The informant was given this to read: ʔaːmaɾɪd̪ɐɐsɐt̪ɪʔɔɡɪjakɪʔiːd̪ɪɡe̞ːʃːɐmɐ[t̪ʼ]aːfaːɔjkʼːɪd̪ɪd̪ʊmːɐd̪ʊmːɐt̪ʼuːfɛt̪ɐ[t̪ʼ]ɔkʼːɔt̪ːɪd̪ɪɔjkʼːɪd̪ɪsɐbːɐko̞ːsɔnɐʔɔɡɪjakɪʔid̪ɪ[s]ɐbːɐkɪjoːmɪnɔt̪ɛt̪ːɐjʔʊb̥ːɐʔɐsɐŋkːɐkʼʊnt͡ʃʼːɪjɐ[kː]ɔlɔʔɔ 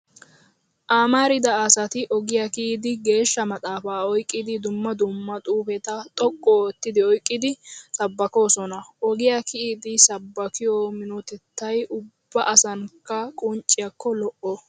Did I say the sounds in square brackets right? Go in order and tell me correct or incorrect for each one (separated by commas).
correct, correct, correct, correct